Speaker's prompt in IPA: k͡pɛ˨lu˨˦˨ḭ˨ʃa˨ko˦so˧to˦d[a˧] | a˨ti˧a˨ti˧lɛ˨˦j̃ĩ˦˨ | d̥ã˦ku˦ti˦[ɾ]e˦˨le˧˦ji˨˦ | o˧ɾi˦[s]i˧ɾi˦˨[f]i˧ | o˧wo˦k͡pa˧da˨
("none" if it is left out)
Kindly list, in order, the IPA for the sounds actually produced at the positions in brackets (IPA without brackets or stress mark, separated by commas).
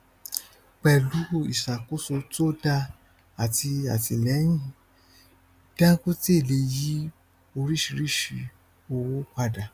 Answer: a˧, none, ʃ, ʃ